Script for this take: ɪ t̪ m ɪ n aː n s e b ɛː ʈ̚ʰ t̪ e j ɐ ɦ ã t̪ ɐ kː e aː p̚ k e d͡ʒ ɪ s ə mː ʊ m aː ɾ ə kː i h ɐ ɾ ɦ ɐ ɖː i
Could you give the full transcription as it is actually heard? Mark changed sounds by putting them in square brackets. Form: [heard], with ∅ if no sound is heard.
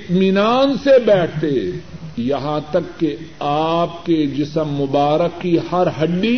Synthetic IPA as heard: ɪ t̪ m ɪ n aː n s e b ɛː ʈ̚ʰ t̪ e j ɐ ɦ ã t̪ ɐ kː e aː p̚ k e d͡ʒ ɪ s ə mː ʊ [b] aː ɾ ə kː i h ɐ ɾ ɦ ɐ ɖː i